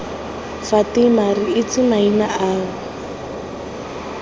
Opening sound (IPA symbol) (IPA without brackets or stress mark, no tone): f